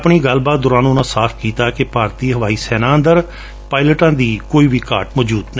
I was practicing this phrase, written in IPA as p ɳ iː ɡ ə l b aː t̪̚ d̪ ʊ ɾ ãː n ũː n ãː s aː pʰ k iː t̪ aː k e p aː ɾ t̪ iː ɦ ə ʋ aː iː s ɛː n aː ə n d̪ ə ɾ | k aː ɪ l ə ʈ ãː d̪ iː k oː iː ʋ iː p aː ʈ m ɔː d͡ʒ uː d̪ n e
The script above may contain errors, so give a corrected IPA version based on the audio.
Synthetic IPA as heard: p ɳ iː ɡ ə l b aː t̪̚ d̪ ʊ ɾ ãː n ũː n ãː s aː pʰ k iː t̪ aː k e p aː ɾ t̪ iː ɦ ə ʋ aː iː s ɛː n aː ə n d̪ ə ɾ | p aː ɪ l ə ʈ ãː d̪ iː k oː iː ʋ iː k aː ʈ m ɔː d͡ʒ uː d̪ n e